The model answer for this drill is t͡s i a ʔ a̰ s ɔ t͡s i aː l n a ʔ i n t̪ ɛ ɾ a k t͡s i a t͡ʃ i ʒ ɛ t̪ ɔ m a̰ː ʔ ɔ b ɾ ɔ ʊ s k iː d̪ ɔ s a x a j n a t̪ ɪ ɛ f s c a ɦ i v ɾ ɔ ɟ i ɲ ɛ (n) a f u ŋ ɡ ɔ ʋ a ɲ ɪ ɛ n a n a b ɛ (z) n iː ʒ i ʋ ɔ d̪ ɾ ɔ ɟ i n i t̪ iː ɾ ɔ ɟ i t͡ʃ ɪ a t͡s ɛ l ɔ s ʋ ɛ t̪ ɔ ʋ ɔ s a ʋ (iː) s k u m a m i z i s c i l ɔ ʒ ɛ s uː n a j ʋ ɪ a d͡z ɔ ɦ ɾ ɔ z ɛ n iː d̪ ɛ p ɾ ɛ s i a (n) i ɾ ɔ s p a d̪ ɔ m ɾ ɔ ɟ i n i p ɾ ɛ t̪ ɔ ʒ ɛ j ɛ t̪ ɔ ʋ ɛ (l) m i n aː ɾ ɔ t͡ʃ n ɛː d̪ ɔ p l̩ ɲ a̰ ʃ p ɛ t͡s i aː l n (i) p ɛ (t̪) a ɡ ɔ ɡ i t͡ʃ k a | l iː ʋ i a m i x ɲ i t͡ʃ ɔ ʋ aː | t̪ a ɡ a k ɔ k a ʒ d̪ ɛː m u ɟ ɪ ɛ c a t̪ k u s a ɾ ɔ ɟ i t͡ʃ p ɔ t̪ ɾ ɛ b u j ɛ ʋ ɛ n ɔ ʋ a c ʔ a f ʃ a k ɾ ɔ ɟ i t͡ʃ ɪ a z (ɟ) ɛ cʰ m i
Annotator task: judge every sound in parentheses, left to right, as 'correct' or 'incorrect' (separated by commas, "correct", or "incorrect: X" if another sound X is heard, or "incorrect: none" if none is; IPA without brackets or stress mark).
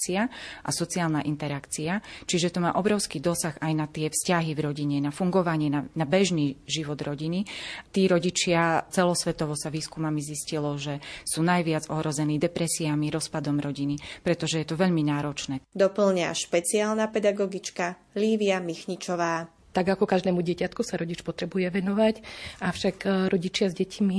correct, incorrect: ʒ, correct, incorrect: m, incorrect: ʎ, incorrect: a, incorrect: d̪, correct